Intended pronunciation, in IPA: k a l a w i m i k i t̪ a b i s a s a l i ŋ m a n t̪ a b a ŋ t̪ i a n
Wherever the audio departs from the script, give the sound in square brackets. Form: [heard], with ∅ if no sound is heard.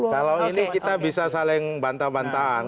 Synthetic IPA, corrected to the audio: k a l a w i [n] i k i t̪ a b i s a s a l [ɪ] ŋ [b] a n t̪ a b a [n] t̪ [a] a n